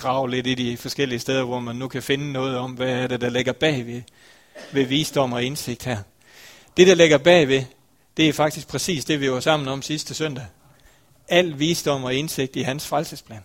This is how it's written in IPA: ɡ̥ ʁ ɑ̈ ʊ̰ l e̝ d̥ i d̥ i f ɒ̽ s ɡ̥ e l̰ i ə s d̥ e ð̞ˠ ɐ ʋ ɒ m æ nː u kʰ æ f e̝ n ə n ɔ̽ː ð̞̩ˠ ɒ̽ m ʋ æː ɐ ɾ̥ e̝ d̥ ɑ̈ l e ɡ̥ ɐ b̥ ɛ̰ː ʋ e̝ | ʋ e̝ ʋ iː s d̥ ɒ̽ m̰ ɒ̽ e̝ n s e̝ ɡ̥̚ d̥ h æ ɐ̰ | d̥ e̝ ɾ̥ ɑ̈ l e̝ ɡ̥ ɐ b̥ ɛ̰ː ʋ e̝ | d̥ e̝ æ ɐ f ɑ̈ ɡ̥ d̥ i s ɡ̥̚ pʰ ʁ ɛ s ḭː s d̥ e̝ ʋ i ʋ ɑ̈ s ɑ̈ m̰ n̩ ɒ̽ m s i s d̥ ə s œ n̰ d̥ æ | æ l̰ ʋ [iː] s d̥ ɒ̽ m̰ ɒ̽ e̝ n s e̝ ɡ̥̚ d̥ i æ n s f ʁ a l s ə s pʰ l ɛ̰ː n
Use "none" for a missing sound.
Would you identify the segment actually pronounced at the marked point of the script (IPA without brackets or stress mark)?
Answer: iː